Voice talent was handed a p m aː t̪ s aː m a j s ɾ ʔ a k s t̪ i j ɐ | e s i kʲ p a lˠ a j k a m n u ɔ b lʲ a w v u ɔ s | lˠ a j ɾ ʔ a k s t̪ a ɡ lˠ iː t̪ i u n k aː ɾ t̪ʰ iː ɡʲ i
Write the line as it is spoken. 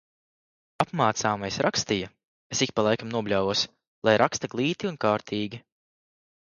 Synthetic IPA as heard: a p m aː t̪ s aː m a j s ɾ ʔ a k s t̪ i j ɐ | e s i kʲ p a lˠ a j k a m n u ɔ b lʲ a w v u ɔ s | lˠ a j ɾ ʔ a k s t̪ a ɡ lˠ iː t̪ i u n k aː ɾ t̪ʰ iː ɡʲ i